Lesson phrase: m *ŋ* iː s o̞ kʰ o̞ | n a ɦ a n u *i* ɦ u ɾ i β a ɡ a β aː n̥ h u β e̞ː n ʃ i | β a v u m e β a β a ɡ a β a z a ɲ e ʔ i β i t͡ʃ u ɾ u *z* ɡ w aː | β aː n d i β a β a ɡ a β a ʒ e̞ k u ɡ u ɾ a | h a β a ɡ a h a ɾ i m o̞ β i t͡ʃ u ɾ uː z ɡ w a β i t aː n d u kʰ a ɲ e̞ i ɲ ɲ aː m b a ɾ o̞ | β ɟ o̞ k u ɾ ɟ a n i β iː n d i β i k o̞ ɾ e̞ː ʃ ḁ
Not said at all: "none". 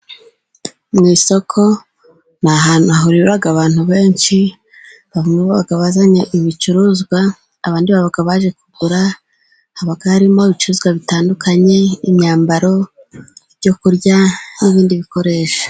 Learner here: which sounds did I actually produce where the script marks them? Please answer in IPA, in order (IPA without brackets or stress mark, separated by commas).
ŋ, a, z